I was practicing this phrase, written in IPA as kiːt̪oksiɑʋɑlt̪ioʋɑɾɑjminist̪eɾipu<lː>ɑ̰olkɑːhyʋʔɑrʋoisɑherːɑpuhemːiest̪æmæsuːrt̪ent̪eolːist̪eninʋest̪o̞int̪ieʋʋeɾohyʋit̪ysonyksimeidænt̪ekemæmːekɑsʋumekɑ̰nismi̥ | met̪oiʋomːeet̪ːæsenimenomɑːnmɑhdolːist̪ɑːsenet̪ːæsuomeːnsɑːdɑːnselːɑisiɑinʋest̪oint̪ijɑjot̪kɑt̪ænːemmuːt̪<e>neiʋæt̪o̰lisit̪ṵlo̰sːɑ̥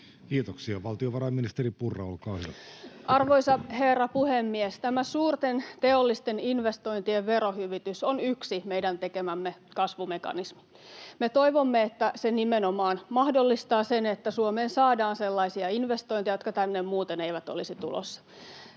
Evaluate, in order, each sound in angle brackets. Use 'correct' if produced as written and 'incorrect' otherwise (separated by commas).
incorrect, correct